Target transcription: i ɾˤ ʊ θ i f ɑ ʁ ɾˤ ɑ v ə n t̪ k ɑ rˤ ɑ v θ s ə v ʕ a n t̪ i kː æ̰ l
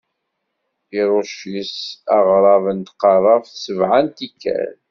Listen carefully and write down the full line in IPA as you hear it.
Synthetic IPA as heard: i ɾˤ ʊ ʃ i s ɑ ʁ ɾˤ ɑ v ə n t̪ q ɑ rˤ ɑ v θ s ə v ʕ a n t̪ i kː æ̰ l